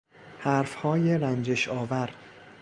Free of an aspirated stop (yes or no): yes